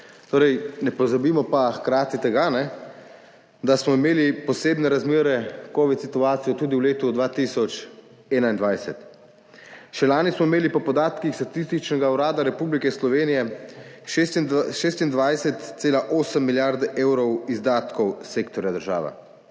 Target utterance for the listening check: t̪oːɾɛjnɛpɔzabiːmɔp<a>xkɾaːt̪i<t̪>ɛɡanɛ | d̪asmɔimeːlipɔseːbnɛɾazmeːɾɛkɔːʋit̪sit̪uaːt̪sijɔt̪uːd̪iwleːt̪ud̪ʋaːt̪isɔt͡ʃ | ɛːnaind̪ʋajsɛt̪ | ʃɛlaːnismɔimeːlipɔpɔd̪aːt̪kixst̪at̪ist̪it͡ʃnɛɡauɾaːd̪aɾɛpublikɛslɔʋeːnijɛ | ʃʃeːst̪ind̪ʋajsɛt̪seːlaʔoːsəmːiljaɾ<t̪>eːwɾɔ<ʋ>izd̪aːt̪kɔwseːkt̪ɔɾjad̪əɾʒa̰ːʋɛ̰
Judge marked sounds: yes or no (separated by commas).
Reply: yes, yes, no, no